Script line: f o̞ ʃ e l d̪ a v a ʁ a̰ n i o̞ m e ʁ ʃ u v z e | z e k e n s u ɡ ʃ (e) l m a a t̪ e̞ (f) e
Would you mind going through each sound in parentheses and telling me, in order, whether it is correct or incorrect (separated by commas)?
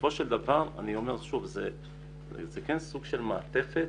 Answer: correct, correct